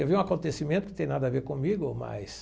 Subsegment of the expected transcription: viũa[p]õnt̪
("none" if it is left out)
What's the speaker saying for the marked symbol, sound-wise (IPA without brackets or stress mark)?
k